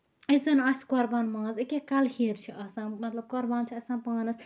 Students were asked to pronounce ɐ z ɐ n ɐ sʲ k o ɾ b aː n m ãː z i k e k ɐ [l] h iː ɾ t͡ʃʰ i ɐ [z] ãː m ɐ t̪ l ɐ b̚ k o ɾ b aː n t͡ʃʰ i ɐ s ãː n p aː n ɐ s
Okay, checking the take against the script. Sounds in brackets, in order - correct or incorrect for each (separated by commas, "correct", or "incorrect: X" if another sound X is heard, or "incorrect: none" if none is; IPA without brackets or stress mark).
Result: correct, incorrect: s